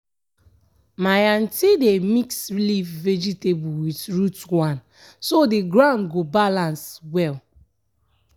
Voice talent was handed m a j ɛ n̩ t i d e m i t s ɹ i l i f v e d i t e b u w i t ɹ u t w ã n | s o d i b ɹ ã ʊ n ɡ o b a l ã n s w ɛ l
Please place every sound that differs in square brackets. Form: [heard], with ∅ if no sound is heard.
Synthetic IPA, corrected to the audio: m a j [a] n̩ t i d e m i [k] s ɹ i l i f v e [d͡ʒ] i t e b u w i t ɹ u t w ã n | s o d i [ɡ] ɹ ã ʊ n ɡ o b a l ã n s w ɛ l